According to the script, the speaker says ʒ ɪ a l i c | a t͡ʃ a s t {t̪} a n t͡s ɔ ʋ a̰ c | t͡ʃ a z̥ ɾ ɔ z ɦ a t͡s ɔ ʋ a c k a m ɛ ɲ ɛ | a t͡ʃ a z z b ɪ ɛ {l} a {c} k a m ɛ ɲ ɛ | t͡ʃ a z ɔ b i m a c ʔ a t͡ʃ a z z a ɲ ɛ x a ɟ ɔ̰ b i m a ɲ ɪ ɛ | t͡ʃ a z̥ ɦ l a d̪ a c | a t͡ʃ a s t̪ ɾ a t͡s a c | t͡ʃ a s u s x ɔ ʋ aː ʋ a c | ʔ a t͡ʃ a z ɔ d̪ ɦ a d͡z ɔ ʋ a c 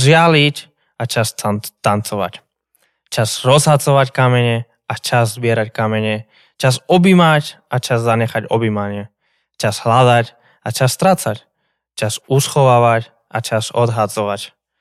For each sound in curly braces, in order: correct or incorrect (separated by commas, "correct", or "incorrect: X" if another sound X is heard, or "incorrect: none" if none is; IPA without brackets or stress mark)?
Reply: correct, incorrect: ɾ, correct